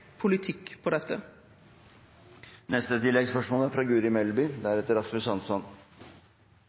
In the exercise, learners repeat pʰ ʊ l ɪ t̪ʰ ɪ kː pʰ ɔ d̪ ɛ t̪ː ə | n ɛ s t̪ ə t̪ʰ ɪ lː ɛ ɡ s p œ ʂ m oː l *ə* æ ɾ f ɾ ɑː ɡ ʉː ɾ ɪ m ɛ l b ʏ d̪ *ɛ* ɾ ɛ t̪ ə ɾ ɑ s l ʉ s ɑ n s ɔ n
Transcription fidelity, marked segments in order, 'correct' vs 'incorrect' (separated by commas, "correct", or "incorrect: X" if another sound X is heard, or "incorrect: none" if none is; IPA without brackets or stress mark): correct, incorrect: æ